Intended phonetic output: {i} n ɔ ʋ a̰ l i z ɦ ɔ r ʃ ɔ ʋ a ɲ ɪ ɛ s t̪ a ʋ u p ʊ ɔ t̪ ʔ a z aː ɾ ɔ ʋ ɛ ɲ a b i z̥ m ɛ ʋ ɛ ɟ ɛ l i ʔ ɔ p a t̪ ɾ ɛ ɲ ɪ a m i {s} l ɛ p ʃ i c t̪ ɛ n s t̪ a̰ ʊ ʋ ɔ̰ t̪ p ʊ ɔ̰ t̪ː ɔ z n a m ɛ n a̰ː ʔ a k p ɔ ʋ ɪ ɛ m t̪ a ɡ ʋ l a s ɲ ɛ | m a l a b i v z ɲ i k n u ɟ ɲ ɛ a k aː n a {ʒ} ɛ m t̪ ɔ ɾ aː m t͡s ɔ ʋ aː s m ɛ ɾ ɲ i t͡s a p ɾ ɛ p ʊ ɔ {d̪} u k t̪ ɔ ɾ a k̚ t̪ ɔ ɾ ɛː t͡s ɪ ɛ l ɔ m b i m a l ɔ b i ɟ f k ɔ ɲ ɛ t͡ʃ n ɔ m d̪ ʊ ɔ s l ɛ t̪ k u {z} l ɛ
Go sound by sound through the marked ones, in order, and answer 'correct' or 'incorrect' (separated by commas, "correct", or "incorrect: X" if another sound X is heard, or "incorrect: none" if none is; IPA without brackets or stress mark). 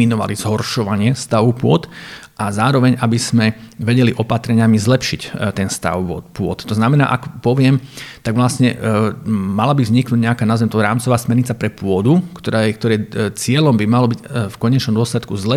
correct, incorrect: z, incorrect: z, correct, correct